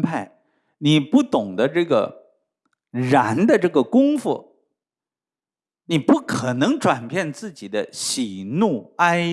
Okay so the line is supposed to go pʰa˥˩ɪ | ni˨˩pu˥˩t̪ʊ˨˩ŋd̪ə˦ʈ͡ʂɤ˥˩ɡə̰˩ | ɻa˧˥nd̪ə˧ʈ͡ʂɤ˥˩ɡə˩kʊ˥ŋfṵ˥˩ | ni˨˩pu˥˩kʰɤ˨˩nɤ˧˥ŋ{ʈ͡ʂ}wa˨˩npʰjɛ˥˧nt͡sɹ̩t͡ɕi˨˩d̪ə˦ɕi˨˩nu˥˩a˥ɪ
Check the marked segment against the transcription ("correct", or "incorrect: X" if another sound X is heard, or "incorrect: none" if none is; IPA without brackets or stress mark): correct